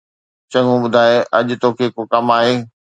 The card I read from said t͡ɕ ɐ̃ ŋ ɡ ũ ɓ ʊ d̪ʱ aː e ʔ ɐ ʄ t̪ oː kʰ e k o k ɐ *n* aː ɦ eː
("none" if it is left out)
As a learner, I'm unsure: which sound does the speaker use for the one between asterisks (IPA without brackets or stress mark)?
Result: m